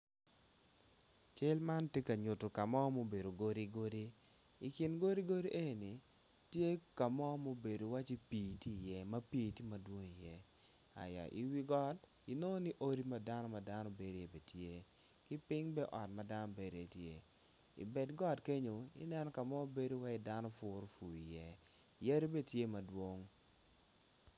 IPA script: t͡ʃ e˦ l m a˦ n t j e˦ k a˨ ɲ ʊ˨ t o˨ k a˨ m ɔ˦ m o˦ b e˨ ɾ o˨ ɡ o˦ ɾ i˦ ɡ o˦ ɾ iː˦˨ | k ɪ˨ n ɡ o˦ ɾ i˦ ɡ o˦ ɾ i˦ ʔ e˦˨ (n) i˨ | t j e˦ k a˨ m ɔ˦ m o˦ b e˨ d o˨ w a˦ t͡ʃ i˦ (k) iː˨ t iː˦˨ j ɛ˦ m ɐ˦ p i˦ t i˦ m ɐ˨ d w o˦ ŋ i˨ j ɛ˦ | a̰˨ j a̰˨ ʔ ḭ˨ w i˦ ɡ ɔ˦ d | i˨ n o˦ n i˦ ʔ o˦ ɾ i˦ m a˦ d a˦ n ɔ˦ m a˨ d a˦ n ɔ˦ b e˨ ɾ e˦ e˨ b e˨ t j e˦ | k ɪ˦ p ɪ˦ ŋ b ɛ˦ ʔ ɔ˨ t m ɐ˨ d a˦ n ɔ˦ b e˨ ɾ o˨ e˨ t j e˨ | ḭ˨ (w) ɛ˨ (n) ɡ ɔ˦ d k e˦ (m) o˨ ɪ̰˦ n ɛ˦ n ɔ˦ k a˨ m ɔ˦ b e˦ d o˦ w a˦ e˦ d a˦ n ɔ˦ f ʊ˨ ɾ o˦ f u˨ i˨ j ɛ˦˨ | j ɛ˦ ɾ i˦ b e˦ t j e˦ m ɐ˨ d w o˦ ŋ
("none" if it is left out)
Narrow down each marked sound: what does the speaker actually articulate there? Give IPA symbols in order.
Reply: n, p, b, d, ɲ

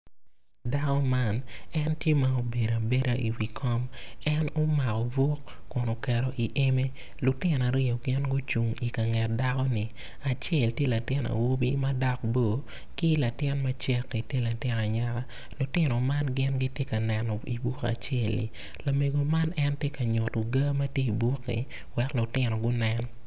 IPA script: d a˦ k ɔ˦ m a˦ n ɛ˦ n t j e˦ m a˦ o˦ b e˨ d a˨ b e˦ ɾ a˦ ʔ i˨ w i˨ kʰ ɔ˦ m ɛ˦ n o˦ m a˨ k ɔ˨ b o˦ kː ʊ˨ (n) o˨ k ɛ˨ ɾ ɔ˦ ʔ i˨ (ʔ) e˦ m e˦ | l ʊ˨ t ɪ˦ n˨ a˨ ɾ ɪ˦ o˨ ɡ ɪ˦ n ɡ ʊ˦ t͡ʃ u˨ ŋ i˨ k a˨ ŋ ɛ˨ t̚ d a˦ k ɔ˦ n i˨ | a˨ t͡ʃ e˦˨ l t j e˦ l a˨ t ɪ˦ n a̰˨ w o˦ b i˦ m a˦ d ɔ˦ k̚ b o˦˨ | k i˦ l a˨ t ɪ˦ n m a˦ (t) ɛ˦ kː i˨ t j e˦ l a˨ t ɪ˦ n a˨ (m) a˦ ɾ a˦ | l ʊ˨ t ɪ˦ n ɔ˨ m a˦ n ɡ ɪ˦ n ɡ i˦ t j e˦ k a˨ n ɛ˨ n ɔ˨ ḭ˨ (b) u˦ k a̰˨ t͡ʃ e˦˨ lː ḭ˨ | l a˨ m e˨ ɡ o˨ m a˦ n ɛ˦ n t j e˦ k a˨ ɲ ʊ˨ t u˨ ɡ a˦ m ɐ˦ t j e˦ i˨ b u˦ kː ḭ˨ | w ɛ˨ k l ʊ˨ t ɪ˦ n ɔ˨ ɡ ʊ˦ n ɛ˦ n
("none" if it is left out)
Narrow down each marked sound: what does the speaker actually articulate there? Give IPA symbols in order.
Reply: n, ʔ, t͡ʃ, ɲ, b

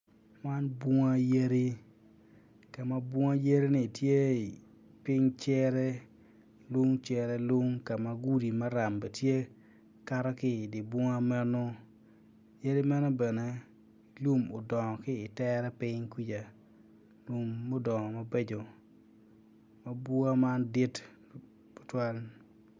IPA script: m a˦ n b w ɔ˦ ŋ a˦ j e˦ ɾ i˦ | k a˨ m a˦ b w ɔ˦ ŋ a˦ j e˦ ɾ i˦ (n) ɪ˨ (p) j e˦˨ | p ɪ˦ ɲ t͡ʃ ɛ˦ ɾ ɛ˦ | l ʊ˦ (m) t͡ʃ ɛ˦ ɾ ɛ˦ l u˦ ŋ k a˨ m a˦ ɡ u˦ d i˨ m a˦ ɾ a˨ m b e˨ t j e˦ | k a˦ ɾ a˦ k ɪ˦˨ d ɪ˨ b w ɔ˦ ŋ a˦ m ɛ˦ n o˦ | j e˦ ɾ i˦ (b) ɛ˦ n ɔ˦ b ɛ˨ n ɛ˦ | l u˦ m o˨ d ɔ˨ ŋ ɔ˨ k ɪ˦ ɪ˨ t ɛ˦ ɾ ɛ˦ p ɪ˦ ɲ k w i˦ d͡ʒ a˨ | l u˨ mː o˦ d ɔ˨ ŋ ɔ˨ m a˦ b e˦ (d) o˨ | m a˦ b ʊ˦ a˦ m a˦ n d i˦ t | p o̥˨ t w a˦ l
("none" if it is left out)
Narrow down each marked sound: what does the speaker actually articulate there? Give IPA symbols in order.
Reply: n, t, ŋ, m, d͡ʒ

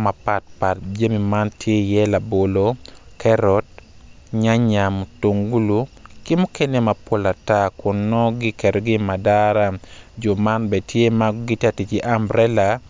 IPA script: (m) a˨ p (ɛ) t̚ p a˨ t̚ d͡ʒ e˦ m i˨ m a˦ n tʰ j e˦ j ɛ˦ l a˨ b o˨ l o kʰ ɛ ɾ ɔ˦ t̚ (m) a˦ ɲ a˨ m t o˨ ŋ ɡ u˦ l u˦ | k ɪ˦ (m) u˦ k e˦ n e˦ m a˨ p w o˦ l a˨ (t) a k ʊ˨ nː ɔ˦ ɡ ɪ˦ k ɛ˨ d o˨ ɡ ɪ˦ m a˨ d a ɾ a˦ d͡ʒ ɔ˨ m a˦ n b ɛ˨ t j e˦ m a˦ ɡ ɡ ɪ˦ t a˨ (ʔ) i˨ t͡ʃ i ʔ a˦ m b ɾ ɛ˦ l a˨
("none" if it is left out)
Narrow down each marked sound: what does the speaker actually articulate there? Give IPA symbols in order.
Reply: m, a, ɲ, m, t, t

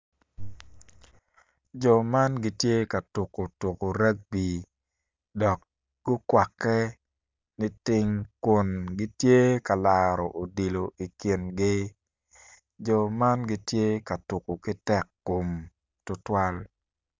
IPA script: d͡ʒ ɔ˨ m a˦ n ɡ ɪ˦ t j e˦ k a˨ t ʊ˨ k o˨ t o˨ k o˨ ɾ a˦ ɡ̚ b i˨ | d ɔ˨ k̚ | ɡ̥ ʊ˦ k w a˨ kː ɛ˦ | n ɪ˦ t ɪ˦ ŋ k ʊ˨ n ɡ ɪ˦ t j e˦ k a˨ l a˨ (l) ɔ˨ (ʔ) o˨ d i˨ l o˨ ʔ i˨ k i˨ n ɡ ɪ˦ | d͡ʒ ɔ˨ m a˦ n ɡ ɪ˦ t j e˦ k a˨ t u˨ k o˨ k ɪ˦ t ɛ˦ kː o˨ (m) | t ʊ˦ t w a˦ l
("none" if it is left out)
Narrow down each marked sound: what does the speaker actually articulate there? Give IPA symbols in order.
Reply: ɾ, ʔ, m

